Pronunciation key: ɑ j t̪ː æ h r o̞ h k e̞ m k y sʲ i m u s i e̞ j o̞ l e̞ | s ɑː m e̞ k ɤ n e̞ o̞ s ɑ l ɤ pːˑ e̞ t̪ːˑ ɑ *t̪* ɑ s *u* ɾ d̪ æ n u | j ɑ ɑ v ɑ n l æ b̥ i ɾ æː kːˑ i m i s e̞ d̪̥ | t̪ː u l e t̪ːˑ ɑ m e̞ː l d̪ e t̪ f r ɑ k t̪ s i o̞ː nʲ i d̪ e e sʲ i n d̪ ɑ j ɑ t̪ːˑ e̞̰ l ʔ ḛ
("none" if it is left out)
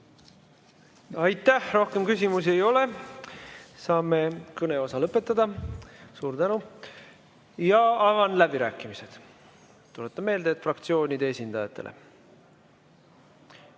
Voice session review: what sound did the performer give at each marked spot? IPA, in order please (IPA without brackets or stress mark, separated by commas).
d̪, uː